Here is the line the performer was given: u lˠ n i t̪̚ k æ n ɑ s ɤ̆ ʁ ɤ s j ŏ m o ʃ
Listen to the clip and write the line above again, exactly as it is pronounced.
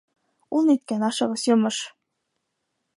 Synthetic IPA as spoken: u lˠ n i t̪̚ k æ n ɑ ʃ ɤ̆ ʁ ɤ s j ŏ m ɤ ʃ